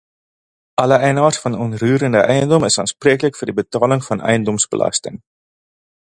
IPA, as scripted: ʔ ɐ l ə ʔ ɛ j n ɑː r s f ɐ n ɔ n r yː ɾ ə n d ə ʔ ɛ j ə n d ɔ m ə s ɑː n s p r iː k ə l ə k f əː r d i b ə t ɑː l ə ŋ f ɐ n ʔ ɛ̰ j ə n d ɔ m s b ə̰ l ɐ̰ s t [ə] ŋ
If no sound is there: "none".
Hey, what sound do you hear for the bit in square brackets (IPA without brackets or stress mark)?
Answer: ə